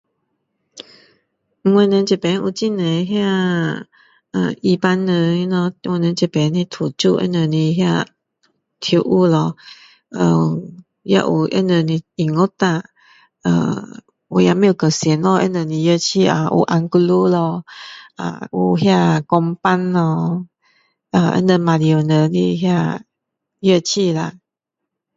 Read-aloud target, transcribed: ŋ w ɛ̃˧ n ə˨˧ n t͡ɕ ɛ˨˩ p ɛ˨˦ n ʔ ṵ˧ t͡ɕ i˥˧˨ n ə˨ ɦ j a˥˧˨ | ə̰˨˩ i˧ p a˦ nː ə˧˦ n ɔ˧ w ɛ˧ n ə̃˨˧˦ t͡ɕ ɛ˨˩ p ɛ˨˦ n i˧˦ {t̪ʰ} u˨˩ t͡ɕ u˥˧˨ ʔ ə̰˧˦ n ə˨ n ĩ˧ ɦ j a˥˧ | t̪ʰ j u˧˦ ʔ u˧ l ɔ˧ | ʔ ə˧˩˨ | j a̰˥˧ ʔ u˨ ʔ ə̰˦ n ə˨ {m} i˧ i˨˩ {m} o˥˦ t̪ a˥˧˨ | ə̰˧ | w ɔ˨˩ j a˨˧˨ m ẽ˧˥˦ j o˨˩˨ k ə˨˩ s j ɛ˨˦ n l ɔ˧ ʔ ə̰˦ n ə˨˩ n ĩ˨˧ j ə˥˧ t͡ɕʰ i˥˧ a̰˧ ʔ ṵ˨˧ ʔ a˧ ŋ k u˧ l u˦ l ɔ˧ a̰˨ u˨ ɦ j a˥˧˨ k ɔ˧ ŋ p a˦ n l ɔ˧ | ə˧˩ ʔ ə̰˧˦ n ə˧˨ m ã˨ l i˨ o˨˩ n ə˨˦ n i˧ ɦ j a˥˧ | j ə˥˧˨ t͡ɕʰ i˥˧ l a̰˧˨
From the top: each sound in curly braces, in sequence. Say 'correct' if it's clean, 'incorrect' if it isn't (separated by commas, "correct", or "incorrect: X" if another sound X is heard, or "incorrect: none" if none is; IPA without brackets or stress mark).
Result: correct, incorrect: n, incorrect: ŋ